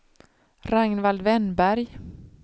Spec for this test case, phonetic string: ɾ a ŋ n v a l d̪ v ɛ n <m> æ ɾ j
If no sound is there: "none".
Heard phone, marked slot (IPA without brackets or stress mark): b